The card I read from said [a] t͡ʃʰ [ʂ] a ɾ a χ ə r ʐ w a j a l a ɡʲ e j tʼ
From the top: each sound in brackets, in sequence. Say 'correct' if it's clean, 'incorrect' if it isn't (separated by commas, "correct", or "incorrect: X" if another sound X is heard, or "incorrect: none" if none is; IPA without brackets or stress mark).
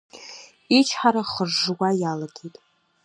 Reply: incorrect: i, incorrect: ħ